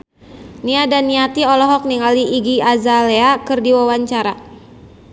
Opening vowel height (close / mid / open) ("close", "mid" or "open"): close